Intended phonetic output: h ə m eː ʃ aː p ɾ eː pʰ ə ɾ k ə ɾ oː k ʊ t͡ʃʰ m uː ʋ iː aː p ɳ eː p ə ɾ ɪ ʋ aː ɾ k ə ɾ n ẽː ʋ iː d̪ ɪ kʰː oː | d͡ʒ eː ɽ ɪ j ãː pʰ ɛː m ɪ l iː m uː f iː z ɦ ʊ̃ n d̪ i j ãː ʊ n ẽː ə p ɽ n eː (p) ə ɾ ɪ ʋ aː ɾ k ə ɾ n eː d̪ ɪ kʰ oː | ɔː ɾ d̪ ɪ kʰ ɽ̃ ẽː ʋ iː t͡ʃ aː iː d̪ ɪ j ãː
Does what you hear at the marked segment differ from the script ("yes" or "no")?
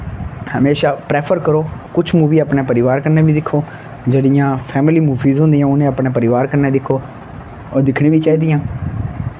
no